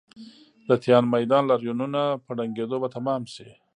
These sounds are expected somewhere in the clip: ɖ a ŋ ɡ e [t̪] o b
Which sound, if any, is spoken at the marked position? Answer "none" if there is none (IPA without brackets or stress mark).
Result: d̪